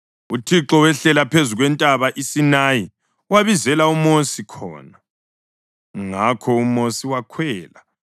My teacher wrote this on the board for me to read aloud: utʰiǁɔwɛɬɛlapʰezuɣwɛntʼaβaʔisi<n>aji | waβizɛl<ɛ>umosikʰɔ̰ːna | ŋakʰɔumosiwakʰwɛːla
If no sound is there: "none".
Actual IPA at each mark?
n, a

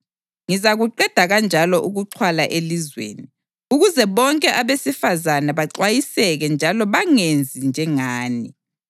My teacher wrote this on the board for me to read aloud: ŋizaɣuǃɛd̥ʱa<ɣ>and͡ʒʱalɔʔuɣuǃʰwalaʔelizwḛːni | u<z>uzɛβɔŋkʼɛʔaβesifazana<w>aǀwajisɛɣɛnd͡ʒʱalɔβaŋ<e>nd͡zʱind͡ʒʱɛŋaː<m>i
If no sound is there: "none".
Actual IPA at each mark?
ɣ, ɣ, β, e, n

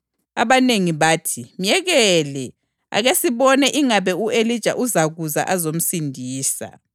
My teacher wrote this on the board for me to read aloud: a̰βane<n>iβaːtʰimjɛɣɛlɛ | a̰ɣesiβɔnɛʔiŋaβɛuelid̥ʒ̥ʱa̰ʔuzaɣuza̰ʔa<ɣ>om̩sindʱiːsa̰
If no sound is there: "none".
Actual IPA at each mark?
ŋ, z

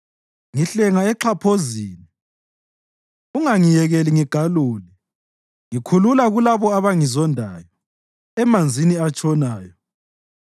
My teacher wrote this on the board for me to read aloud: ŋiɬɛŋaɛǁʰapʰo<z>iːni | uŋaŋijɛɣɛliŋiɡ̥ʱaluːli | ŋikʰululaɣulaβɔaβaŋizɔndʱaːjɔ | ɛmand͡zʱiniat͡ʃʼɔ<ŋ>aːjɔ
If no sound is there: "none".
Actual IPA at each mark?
z, n

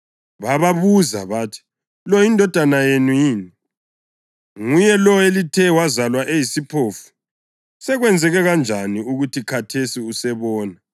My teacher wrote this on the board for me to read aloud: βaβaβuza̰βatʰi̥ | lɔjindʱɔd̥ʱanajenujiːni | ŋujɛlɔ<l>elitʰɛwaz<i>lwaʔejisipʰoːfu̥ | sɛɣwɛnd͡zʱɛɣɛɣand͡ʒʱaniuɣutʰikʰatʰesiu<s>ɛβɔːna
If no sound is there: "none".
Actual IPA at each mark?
none, a, s

